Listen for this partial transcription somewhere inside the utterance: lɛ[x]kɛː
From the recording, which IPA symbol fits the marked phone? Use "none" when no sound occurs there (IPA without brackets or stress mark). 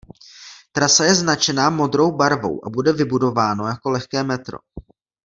x